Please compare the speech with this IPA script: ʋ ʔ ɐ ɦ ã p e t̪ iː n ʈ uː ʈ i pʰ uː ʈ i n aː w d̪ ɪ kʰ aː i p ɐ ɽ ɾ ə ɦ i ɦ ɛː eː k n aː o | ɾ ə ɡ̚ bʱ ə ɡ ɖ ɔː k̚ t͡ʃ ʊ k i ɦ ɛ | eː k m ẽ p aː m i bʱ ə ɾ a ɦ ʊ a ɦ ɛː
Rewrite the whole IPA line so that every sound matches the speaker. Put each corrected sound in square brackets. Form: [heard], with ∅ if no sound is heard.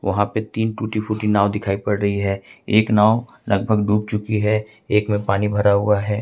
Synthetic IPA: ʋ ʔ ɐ ɦ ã p e t̪ iː n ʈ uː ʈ i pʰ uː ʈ i n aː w d̪ ɪ kʰ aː i p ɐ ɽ ɾ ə ɦ i ɦ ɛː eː k n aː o | [l] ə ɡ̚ bʱ ə ɡ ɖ [uː] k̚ t͡ʃ ʊ k i ɦ ɛ | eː k m ẽ p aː [n] i bʱ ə ɾ a ɦ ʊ a ɦ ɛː